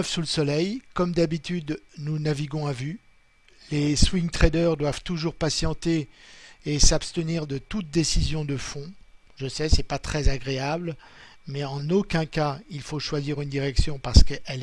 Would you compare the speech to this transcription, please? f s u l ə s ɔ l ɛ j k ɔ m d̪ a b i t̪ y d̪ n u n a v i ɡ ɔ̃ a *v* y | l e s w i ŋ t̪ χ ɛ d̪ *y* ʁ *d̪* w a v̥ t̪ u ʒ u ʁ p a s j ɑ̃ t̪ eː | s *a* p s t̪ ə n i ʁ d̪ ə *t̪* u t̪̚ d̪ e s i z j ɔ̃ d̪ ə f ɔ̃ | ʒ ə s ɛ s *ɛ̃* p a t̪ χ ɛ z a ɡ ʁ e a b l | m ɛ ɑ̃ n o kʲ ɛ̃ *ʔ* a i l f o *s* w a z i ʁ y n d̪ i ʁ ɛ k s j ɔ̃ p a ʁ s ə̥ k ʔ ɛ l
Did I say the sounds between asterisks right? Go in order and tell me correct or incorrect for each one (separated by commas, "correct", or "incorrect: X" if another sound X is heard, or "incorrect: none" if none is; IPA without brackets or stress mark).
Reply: correct, incorrect: œ, correct, correct, correct, incorrect: ɛ, incorrect: k, incorrect: ʃ